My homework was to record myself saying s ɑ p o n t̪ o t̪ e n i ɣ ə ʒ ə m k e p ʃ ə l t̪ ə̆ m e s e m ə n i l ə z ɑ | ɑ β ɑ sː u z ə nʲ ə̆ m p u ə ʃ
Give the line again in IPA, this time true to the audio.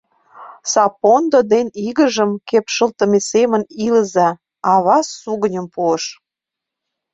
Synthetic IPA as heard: s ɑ p o n d̪ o d̪ e n i ɣ ə ʒ ə m k e p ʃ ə l t̪ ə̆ m e s e m ə n i l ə z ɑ | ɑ β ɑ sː u ɣ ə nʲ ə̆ m p u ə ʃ